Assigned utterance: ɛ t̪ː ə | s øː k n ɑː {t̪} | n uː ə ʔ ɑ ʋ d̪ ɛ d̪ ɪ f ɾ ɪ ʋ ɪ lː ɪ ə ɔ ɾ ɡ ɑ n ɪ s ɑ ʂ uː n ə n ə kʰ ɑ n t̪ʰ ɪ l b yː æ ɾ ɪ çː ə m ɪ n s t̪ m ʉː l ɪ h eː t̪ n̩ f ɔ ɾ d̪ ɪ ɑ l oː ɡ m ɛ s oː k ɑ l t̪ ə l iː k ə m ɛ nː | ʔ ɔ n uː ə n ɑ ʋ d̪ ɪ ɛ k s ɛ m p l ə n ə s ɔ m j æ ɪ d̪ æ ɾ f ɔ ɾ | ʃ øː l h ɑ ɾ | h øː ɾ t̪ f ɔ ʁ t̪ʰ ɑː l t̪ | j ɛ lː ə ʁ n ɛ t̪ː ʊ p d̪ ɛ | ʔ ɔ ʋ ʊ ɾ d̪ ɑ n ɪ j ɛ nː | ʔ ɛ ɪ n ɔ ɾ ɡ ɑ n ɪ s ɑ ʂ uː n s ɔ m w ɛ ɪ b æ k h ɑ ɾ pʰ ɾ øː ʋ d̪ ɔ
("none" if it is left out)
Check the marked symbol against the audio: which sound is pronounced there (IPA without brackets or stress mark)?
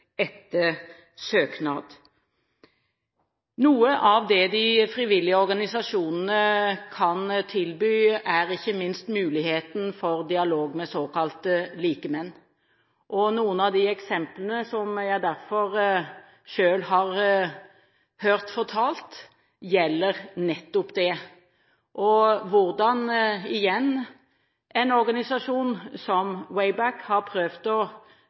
d̪